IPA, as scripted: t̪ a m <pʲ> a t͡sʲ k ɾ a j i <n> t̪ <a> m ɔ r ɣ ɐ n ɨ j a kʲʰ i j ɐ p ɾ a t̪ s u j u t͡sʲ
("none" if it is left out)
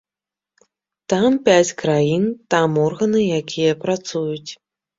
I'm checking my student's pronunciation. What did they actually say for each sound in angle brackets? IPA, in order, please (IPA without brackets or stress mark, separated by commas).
pʲ, n, a